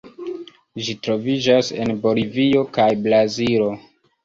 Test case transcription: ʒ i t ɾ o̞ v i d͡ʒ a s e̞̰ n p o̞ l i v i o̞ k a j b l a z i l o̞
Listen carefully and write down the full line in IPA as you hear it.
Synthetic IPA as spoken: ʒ i t ɾ o̞ v i d͡ʒ a s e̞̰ n b o̞ l i v i o̞ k a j b l a z i l o̞